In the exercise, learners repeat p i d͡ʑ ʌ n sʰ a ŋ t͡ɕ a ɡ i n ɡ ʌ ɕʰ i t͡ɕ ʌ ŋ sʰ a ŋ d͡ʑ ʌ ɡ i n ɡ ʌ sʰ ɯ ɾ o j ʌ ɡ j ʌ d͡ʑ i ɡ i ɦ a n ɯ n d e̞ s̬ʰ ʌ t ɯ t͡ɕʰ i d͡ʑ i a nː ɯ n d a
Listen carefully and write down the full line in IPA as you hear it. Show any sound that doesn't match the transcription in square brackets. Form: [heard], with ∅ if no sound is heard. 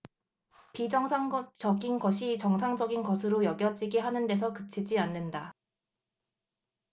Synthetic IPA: p i d͡ʑ ʌ [ŋ] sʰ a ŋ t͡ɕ [ʌ] ɡ i n ɡ ʌ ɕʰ i t͡ɕ ʌ ŋ sʰ a ŋ d͡ʑ ʌ ɡ i n ɡ ʌ sʰ ɯ ɾ o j ʌ ɡ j ʌ d͡ʑ i ɡ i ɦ a n ɯ n d e̞ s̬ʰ ʌ [k] ɯ t͡ɕʰ i d͡ʑ i a nː ɯ n d a